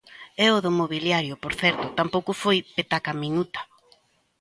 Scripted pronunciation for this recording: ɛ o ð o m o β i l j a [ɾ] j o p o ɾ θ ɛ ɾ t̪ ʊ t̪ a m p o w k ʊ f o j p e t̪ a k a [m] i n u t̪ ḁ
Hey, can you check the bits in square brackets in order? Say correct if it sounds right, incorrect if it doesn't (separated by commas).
correct, correct